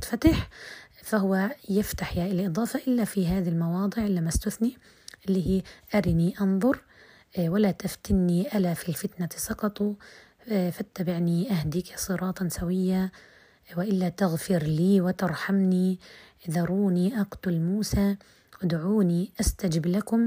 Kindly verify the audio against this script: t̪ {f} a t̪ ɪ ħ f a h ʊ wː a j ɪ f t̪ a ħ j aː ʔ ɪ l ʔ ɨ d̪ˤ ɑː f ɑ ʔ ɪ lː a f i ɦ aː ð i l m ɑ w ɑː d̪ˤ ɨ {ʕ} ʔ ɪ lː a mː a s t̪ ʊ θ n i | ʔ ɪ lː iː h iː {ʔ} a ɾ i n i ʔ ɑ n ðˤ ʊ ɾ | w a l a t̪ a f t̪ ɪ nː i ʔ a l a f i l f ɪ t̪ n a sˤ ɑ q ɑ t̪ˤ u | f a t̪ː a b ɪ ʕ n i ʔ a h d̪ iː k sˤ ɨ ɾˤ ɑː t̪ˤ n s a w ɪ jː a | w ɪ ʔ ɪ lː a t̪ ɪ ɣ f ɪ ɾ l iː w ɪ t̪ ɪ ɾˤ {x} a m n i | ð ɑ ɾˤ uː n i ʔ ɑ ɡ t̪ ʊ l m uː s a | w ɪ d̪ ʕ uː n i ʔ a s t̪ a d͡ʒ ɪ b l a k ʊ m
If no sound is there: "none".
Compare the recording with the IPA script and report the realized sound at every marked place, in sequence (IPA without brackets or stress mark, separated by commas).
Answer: f, ʕ, ʔ, ħ